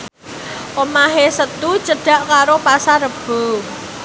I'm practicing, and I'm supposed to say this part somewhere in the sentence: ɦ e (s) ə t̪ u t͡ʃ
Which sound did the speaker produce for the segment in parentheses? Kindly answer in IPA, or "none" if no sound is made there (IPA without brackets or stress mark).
s